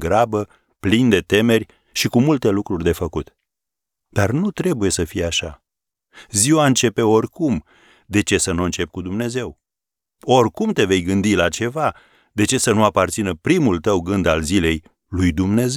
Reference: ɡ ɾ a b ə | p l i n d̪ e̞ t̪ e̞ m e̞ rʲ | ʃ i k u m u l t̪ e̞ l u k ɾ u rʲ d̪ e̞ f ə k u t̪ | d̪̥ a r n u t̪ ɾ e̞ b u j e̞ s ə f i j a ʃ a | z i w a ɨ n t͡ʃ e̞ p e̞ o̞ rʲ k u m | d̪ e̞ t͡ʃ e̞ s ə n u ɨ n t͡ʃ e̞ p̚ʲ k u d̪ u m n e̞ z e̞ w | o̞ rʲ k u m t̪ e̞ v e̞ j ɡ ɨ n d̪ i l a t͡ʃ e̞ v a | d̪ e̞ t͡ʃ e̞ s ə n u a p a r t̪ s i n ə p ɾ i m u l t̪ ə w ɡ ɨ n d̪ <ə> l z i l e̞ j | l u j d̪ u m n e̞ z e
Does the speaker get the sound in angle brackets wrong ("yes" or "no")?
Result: yes